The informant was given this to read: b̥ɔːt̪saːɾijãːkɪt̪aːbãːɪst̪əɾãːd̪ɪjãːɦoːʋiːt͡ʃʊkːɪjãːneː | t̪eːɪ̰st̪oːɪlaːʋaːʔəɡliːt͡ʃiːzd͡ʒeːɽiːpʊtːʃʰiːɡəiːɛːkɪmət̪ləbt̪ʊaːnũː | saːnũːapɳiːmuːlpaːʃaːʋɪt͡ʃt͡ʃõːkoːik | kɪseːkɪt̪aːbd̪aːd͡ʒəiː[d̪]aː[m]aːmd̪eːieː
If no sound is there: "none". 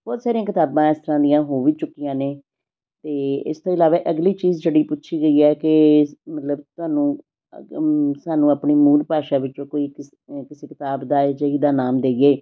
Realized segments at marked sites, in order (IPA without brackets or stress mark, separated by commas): d̪, n